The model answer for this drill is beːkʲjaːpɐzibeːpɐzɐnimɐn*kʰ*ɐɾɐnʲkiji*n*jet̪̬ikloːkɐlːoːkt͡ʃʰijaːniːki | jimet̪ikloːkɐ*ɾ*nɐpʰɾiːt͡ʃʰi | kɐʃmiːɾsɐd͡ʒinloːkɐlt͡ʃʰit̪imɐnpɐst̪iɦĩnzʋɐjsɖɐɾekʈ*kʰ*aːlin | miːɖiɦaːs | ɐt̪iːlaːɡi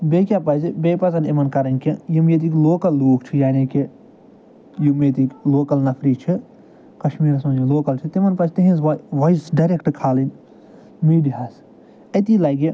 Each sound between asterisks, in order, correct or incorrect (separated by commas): incorrect, incorrect, incorrect, correct